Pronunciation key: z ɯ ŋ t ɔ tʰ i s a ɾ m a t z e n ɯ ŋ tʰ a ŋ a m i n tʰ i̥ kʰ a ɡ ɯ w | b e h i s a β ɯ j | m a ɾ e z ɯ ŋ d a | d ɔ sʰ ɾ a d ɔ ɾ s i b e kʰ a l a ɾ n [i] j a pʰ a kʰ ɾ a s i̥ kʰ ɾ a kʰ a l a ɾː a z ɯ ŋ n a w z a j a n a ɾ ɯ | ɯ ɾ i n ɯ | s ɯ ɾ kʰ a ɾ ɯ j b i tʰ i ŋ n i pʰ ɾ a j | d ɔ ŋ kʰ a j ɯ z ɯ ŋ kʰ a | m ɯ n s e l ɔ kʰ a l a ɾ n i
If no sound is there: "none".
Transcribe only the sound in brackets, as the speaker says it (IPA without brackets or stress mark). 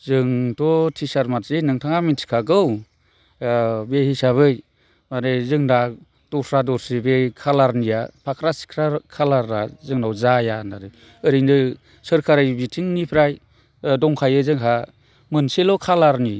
i